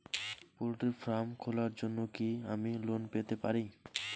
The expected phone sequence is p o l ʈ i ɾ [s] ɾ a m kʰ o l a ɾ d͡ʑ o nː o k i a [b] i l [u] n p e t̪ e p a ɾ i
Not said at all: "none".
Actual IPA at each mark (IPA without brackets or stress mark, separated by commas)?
f, m, o